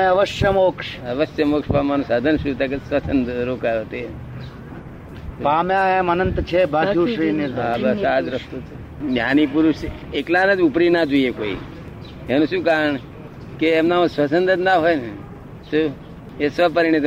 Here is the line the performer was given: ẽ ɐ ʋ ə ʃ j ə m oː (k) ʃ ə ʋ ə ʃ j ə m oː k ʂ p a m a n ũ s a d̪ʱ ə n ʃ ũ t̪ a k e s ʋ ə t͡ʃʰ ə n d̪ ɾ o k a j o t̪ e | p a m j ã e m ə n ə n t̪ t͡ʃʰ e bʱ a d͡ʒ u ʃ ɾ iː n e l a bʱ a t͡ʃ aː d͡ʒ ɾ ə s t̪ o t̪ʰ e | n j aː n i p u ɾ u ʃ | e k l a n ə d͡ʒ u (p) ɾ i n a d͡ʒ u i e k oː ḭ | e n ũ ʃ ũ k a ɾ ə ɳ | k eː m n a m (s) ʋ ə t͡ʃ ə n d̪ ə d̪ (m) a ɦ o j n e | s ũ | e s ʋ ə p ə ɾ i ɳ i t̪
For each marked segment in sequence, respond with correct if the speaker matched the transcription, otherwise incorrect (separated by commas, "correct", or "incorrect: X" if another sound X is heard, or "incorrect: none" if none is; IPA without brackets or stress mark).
correct, correct, correct, incorrect: n